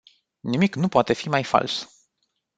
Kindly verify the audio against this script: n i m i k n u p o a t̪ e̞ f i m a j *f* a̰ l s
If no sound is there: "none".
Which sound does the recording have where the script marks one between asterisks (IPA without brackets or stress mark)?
f